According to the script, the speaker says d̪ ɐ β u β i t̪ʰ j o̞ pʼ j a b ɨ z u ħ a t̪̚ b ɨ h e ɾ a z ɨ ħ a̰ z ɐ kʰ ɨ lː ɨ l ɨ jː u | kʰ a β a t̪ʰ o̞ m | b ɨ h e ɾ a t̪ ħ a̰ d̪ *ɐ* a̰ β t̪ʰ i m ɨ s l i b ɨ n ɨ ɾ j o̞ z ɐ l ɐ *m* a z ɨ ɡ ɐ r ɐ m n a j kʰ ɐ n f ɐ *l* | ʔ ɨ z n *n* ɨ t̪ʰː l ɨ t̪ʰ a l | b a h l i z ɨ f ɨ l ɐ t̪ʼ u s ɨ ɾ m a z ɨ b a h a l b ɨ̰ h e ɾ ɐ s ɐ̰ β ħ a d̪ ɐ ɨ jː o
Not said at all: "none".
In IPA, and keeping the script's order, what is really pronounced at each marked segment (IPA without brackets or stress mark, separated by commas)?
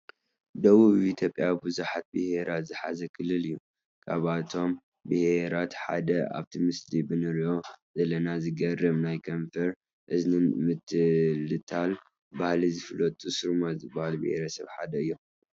ɐ, n, ɾ, m